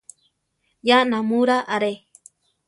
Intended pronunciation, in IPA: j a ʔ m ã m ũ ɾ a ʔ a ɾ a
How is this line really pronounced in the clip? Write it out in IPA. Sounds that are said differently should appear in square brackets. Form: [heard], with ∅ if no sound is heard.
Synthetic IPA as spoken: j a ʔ [n] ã m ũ ɾ a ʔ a ɾ [e]